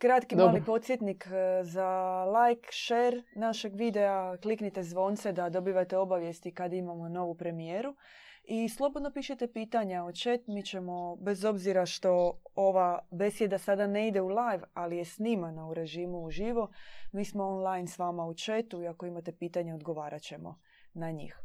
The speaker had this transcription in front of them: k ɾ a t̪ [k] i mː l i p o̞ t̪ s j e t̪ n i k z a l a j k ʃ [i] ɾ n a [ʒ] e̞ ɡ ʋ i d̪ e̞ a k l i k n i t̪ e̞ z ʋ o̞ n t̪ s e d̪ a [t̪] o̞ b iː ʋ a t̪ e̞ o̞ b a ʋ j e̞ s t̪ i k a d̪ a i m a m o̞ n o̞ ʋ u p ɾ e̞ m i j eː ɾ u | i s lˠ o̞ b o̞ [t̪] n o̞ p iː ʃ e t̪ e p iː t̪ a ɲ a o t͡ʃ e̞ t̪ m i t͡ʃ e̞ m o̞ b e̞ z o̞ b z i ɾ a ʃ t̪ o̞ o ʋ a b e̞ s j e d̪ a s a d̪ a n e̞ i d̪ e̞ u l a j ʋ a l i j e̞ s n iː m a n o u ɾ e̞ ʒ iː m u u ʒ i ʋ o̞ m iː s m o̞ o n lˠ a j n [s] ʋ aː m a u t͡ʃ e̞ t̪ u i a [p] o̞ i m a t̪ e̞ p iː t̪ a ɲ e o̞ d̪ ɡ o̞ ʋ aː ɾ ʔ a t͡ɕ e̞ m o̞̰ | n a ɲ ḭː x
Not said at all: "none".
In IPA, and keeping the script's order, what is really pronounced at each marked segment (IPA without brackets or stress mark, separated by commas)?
k, e, ʃ, d̪, d̪, s, k